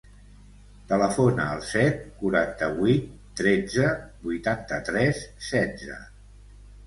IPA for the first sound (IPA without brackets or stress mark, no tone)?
t̪